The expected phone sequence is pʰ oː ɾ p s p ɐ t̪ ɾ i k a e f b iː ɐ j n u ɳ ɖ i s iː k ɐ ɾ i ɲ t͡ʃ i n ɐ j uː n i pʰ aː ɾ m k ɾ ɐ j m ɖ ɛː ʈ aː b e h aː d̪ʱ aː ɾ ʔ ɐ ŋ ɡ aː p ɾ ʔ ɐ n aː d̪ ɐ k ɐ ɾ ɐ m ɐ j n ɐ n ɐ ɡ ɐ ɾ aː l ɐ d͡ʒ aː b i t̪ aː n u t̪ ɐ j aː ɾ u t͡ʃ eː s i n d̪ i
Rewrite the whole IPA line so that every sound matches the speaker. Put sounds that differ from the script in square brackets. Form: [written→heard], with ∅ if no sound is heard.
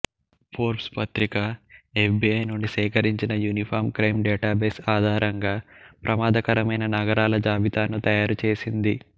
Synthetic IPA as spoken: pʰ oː ɾ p s p ɐ t̪ ɾ i k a e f b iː ɐ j n u ɳ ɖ i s [iː→ɛː] k ɐ ɾ i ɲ t͡ʃ i n ɐ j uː n i pʰ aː ɾ m k ɾ ɐ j m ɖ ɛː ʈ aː b e [h→s] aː d̪ʱ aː ɾ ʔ ɐ ŋ ɡ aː p ɾ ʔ ɐ [n→m] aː d̪ ɐ k ɐ ɾ ɐ m ɐ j n ɐ n ɐ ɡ ɐ ɾ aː l ɐ d͡ʒ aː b i t̪ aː n u t̪ ɐ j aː ɾ u t͡ʃ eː s i n d̪ i